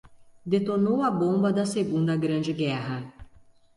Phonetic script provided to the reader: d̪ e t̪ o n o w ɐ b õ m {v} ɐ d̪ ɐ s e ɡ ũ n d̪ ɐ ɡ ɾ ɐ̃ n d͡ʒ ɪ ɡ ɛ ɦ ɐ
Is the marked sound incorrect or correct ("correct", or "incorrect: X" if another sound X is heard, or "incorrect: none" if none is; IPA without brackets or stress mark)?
incorrect: b